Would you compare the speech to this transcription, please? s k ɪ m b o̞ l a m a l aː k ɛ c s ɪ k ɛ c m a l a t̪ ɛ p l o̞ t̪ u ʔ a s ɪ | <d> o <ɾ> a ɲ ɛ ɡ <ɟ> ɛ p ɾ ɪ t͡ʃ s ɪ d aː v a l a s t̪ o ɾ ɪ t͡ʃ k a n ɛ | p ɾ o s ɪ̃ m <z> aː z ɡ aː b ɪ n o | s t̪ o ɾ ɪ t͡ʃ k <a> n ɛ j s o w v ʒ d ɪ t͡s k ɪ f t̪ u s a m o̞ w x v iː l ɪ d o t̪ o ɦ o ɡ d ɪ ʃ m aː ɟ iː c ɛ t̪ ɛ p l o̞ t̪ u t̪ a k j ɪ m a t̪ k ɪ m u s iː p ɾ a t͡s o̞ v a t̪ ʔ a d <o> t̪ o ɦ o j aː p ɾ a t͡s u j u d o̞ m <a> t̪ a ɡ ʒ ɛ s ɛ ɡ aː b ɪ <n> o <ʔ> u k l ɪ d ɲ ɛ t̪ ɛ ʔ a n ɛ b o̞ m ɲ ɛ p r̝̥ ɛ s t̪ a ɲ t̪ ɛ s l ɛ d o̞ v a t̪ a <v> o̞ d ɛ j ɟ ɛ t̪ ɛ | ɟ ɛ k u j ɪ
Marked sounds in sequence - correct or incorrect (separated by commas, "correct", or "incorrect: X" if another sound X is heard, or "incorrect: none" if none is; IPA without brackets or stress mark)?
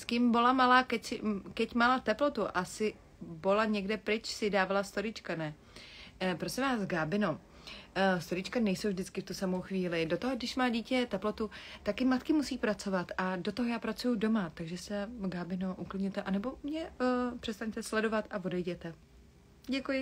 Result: incorrect: b, incorrect: l, incorrect: d, incorrect: v, correct, correct, correct, correct, correct, correct